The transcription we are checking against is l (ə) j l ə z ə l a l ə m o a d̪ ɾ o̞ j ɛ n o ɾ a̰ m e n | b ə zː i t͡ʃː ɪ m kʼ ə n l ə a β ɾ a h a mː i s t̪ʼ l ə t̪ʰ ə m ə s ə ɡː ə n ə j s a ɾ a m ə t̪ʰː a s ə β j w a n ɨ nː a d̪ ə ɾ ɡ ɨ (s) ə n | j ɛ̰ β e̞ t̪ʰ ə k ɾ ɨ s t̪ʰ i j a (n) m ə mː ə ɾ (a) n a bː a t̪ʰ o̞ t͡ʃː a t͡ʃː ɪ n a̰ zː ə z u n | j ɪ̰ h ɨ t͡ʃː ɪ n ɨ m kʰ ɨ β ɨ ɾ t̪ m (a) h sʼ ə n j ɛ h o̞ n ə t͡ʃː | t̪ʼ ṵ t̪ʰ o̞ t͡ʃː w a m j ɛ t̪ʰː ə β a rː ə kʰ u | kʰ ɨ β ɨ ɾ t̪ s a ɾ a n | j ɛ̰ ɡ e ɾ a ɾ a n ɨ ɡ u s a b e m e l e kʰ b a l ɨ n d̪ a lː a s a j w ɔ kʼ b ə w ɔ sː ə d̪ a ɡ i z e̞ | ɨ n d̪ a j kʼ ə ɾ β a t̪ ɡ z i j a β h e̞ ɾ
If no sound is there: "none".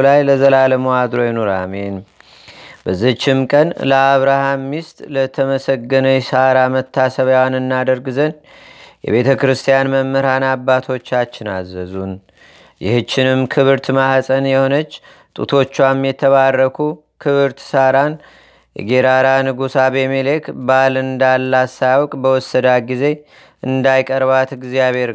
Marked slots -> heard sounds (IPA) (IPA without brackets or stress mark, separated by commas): a, z, n, a, a